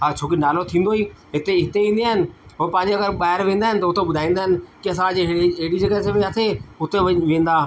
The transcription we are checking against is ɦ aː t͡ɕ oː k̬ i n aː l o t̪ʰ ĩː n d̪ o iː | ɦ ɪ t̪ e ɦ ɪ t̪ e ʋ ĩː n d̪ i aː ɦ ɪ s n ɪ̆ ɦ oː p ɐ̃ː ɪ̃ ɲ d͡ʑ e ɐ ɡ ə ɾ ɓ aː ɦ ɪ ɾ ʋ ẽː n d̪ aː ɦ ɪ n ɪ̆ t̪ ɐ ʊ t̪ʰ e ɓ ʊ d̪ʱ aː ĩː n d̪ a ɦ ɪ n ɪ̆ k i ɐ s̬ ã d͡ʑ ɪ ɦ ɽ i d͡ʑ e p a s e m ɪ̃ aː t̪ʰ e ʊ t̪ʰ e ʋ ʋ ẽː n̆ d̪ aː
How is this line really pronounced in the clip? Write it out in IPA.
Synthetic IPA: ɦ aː t͡ɕʰ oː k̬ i n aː l o t̪ʰ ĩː n d̪ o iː | ɦ ɪ t̪ e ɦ ɪ t̪ e ʋ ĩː n d̪ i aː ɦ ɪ n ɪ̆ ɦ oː p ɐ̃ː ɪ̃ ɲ d͡ʑ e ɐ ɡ ə ɾ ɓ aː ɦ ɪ ɾ ʋ ẽː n d̪ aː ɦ ɪ n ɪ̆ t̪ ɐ ʊ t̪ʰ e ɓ ʊ d̪ʱ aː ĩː n d̪ a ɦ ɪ n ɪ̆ k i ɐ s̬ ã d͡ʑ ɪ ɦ ɽ i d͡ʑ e k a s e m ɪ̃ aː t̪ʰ e ʊ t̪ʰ e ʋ ʋ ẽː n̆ d̪ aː